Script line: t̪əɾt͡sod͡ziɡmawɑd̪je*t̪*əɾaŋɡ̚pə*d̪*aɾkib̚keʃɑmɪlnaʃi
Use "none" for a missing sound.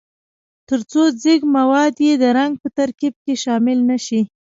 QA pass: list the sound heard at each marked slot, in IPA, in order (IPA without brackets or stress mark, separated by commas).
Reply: d̪, t̪